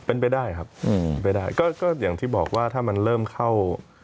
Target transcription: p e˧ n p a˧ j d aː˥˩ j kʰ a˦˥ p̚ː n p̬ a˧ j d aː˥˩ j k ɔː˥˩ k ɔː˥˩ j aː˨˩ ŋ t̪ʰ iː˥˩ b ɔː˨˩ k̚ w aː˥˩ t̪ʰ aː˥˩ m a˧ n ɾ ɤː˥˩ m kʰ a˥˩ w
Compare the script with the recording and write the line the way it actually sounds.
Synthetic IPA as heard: p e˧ n p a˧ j d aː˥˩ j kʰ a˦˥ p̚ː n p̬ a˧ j d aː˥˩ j k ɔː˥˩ k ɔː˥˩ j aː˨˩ ŋ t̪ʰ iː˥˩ b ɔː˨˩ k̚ w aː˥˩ t̪ʰ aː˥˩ m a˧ n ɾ ɤː˥˩ m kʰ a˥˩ w